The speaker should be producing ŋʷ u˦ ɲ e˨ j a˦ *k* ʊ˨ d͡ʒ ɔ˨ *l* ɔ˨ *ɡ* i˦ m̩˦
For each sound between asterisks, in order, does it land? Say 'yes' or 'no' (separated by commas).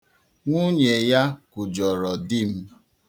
yes, no, no